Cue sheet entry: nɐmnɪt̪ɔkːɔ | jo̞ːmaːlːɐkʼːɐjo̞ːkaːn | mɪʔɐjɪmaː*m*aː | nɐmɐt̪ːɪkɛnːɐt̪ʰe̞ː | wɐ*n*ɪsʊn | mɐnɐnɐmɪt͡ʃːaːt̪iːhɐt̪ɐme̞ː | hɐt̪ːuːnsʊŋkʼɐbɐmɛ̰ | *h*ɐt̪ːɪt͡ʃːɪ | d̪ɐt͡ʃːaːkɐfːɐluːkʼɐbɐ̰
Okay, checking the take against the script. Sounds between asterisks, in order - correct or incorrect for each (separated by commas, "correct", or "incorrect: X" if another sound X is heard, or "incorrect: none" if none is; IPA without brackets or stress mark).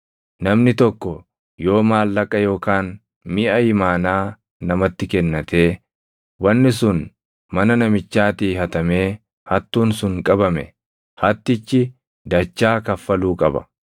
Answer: incorrect: n, incorrect: nː, correct